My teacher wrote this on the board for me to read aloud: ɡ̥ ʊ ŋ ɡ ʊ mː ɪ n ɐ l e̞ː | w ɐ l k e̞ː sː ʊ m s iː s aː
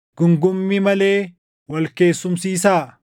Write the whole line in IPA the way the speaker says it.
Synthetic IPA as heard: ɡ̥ ʊ ŋ ɡ ʊ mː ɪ m ɐ l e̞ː | w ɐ l k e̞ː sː ʊ m s iː s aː

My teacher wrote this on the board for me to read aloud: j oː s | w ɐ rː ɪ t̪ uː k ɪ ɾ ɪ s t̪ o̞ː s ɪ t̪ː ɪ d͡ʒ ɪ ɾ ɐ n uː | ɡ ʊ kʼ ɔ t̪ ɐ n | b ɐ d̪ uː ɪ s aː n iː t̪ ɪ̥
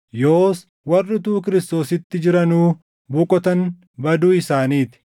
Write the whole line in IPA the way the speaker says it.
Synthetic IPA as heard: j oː s | w ɐ rː ɪ t̪ uː k ɪ ɾ ɪ s t̪ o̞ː s ɪ t̪ː ɪ d͡ʒ ɪ ɾ ɐ n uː | b ʊ kʼ ɔ t̪ ɐ n | b ɐ d̪ uː ɪ s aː n iː t̪ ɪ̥

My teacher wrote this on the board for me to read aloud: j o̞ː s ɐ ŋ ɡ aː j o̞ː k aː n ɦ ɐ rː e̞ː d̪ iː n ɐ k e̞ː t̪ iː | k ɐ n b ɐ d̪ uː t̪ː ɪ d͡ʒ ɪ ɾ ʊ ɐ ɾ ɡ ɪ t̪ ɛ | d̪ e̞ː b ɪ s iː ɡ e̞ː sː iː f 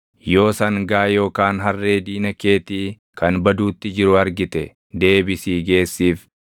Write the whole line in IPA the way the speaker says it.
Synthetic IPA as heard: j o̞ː s ɐ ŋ ɡ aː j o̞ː k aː n ɦ ɐ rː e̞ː d̪ iː n ɐ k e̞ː t̪ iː | k ɐ n b ɐ d̪ uː t̪ː ɪ d͡ʒ ɪ ɾ ʊ ɐ ɾ ɡ ɪ t̪ ɛ | d̪ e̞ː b ɪ s iː ɡ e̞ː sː iː f

